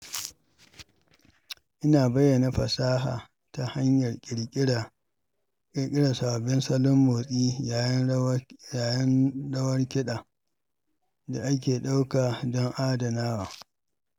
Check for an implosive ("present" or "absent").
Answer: present